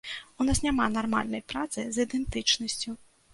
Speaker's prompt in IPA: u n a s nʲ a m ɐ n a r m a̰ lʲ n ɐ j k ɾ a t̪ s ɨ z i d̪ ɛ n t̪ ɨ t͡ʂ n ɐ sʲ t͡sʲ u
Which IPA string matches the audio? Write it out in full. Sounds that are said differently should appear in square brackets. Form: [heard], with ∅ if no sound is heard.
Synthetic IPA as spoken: u n a s nʲ a m [a] n a r m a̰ lʲ n ɐ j [p] ɾ a t̪ s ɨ z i d̪ ɛ n t̪ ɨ t͡ʂ n ɐ sʲ t͡sʲ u